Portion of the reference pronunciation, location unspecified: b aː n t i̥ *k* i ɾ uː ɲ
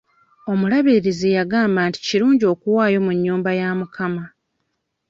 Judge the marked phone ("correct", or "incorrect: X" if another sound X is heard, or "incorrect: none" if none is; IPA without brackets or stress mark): incorrect: c